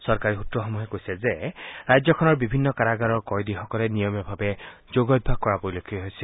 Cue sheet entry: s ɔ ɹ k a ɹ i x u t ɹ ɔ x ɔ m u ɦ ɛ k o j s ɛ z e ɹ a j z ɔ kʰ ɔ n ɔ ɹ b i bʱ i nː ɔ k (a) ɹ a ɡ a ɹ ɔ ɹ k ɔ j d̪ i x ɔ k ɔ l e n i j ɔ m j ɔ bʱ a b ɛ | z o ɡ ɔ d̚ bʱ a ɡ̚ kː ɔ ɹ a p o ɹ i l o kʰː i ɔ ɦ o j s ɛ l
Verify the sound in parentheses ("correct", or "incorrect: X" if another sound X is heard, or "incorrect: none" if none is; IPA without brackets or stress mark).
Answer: correct